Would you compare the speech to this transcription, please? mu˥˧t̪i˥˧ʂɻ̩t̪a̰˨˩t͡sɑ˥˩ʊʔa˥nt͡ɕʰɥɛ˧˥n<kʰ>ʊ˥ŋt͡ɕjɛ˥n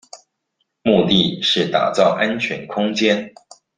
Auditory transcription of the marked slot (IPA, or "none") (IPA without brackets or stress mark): kʰ